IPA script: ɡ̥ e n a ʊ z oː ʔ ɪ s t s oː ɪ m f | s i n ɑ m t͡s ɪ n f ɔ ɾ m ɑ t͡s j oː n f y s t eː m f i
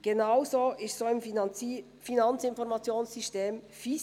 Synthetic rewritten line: ɡ̥ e n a ʊ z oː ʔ ɪ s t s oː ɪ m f | f i n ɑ n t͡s ɪ n f ɔ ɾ m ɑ t͡s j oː n s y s t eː m f i